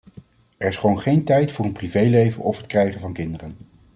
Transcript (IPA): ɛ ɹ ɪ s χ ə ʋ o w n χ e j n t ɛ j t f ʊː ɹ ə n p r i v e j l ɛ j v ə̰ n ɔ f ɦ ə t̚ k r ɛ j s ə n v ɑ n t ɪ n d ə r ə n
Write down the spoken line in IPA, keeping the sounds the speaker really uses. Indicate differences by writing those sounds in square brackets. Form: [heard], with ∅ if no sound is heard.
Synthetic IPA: ɛ ɹ ɪ s χ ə ʋ o w n χ e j n t ɛ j t f ʊː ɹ ə n p r i v e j l [e] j v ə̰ n ɔ f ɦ ə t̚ k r ɛ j [χ] ə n v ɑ n [k] ɪ n d ə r ə n